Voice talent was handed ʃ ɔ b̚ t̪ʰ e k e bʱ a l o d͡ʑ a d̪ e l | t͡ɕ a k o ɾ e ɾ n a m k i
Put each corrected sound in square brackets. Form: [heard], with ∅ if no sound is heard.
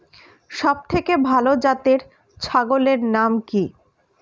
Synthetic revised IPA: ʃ ɔ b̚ t̪ʰ e k e bʱ a l o d͡ʑ a [t̪] e [ɾ] | [t͡ɕʰ] a [ɡ] o [l] e ɾ n a m k i